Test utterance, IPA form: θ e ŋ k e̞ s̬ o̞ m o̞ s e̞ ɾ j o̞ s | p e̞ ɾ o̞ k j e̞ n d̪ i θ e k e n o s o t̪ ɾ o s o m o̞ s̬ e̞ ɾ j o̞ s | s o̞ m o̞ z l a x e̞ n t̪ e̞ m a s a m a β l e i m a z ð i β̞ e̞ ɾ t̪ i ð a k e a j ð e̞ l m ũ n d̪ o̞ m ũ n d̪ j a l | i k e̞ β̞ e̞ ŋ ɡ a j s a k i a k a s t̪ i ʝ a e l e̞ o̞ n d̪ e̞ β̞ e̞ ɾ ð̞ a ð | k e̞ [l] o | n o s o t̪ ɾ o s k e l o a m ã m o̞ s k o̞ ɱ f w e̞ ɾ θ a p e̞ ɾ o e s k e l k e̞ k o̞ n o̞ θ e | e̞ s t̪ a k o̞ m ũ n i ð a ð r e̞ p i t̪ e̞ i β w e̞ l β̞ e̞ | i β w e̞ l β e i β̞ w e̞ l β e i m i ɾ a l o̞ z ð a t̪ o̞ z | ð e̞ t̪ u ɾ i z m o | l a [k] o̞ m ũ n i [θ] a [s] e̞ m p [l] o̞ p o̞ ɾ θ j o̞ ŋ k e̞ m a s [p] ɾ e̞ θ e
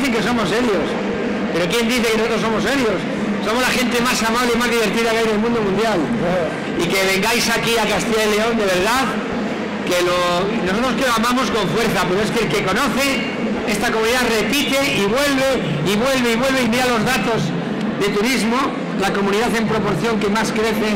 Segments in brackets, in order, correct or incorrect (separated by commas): correct, correct, incorrect, incorrect, incorrect, incorrect